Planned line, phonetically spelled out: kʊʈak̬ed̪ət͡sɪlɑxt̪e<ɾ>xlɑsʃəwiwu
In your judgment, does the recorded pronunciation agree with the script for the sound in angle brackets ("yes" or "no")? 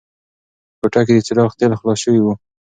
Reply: no